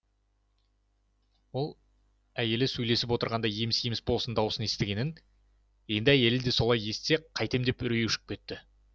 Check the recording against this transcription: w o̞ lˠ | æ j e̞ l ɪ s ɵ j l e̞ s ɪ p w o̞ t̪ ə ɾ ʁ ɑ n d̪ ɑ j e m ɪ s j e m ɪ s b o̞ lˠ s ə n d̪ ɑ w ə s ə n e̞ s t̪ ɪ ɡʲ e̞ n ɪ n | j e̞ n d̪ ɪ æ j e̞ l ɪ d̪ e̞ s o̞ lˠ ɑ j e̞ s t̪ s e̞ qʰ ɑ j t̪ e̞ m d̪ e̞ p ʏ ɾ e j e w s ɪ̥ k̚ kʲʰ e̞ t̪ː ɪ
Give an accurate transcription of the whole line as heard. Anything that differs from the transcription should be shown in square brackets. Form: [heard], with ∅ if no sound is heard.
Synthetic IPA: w o̞ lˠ | æ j e̞ l ɪ s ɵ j l e̞ s ɪ p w o̞ t̪ ə ɾ ʁ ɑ n d̪ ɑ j e m ɪ s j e m ɪ s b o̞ lˠ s ə n d̪ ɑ w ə s ə n e̞ s t̪ ɪ ɡʲ e̞ n ɪ n | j e̞ n d̪ ɪ æ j e̞ l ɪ d̪ e̞ s o̞ lˠ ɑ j e̞ s t̪ s e̞ qʰ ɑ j t̪ e̞ m d̪ e̞ p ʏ ɾ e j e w [ʃ] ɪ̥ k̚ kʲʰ e̞ t̪ː ɪ